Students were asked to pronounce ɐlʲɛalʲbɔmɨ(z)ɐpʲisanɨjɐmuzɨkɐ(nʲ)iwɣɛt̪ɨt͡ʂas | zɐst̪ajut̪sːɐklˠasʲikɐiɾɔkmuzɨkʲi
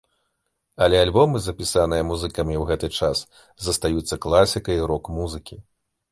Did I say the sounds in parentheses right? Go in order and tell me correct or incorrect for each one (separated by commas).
correct, incorrect